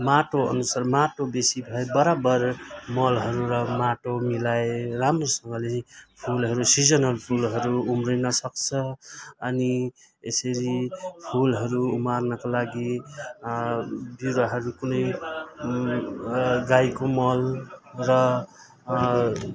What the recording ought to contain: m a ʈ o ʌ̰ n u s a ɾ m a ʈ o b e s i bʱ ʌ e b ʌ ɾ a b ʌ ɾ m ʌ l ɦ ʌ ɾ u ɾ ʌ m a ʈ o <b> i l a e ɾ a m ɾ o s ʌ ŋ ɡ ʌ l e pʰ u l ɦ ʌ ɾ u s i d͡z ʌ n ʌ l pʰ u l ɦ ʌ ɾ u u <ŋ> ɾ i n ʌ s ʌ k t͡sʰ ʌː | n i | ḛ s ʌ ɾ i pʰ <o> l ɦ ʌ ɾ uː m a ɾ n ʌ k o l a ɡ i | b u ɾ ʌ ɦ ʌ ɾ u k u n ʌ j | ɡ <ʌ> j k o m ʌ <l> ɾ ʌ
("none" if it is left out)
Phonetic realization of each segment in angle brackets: m, m, u, a, l

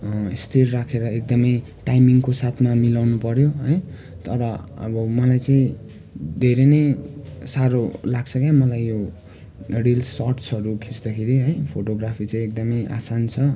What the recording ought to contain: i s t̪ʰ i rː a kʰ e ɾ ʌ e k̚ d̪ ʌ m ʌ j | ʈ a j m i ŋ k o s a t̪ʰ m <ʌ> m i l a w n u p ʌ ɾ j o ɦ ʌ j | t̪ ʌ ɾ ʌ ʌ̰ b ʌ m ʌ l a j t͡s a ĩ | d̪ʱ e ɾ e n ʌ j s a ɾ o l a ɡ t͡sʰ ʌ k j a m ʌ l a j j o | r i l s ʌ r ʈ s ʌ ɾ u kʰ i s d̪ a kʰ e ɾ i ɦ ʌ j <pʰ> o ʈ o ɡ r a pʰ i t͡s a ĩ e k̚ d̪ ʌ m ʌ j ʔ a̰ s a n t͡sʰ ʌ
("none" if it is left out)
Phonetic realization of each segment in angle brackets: a, pʰ

